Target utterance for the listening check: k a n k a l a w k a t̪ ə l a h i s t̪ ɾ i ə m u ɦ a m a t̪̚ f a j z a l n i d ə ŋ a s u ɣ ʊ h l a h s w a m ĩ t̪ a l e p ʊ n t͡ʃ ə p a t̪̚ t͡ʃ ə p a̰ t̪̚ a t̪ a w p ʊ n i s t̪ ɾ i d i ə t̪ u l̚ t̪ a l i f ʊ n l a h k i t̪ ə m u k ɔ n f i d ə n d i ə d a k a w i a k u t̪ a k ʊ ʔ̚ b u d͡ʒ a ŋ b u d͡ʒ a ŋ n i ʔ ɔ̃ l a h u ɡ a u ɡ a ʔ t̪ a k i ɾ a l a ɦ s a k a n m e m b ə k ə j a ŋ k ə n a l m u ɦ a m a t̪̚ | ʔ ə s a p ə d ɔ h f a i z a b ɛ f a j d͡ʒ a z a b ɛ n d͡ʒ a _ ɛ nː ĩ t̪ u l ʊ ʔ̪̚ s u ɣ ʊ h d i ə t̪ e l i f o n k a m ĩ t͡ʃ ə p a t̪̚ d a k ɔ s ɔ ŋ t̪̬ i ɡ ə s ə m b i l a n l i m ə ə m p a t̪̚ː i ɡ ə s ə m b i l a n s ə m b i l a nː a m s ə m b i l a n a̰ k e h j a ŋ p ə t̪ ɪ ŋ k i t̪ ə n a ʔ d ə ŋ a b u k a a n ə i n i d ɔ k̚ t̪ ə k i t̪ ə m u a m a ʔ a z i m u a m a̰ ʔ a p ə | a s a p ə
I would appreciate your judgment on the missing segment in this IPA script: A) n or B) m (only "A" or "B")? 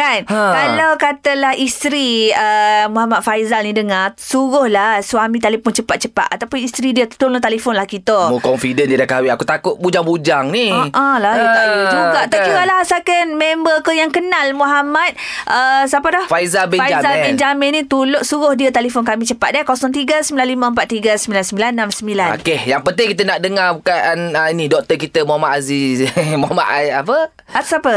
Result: B